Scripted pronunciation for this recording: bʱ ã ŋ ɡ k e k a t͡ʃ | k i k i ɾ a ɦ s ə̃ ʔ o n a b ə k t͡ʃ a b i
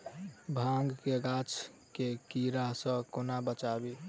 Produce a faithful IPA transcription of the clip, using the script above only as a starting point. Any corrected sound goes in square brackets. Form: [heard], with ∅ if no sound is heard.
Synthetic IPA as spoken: bʱ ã ŋ ɡ k e [ɡ] a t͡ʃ | k [e] k i ɾ a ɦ s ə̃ [k] o n a b ə [∅] t͡ʃ a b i